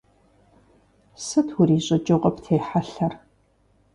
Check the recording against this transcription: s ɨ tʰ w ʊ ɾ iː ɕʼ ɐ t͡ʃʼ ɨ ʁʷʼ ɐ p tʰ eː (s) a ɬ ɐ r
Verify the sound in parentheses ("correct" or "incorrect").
incorrect